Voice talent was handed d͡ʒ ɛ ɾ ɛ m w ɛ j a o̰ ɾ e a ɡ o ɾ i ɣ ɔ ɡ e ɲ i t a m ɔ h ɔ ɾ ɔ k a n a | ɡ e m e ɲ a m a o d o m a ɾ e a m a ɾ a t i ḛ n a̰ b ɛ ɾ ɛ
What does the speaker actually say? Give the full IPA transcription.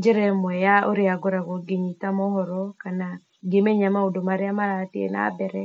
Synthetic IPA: d͡ʒ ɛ ɾ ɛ m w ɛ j a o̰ ɾ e a ɡ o ɾ a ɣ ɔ ɡ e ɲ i t a m ɔ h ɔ ɾ ɔ k a n a | ɡ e m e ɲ a m a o d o m a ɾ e a m a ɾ a t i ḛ n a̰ b ɛ ɾ ɛ